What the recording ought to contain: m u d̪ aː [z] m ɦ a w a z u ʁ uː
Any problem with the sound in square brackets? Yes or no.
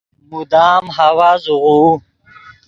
yes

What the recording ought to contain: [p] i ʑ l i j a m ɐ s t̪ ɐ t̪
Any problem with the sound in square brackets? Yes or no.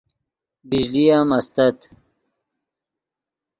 yes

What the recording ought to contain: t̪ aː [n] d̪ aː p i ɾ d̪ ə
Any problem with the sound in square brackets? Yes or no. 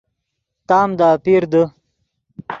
yes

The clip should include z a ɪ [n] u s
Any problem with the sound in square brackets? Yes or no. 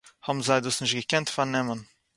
yes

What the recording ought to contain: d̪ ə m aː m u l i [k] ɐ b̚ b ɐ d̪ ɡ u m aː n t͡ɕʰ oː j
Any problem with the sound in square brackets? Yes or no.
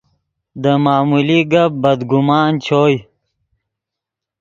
yes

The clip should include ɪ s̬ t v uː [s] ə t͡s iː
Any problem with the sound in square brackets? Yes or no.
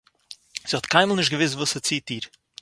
no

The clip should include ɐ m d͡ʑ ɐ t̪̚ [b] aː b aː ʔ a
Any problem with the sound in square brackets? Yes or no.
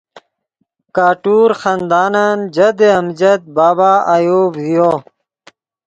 no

